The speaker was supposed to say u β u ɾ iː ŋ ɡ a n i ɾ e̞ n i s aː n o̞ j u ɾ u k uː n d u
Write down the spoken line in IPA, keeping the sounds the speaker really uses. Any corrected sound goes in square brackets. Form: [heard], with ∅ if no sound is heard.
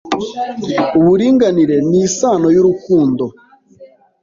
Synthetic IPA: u β u ɾ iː ŋ ɡ a n i ɾ e̞ n i s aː n o̞ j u ɾ u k uː n d [o]